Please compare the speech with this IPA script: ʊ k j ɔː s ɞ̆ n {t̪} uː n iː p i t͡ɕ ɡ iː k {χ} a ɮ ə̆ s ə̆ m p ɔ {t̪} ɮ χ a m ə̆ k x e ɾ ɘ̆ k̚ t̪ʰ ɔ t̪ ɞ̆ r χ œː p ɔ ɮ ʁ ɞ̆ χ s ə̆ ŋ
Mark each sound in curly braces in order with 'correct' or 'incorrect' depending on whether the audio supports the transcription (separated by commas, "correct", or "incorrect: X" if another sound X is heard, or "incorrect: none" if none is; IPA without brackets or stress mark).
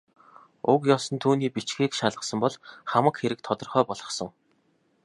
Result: incorrect: t̪ʰ, incorrect: ʃ, incorrect: none